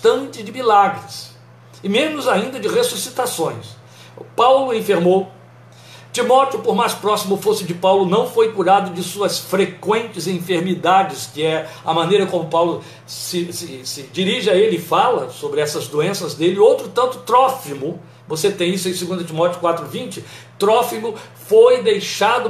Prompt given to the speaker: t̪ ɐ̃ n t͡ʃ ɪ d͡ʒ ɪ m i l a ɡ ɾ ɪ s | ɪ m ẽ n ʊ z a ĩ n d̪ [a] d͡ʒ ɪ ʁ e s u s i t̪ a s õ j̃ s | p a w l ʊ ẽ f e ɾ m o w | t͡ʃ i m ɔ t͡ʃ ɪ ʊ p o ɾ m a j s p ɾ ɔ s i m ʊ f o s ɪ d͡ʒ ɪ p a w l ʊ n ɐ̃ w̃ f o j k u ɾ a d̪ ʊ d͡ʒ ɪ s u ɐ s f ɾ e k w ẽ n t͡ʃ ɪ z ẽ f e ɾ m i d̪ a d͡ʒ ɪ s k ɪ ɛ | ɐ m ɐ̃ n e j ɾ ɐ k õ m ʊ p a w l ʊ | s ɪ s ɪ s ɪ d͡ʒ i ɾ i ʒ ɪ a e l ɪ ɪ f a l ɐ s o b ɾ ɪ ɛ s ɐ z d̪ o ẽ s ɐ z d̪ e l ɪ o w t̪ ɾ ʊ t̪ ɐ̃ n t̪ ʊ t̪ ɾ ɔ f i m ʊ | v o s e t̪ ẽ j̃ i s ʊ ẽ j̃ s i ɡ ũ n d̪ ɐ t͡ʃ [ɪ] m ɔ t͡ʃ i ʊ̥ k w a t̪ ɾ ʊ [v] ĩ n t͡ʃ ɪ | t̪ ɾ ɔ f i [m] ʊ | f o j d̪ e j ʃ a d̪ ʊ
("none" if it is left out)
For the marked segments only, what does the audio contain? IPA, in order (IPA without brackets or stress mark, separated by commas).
ɐ, i, v, m